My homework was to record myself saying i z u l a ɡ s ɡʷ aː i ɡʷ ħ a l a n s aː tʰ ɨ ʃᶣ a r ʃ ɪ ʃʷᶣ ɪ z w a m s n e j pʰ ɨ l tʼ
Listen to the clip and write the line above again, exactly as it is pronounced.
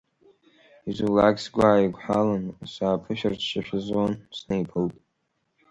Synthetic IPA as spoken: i z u l a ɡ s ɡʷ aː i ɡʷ ħ a l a n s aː pʰ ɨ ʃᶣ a r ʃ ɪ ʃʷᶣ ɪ z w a n s n e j pʰ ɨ l tʼ